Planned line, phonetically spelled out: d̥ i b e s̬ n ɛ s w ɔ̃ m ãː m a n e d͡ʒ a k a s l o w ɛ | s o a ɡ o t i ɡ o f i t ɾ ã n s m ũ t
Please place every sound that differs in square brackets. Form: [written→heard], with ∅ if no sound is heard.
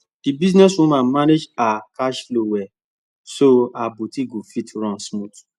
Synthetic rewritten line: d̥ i b [e→i] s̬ n ɛ s w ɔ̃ m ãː m a n e d͡ʒ a k a [s→ʃ] l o w ɛ | s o a [ɡ→b] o t i ɡ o f i t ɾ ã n s m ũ t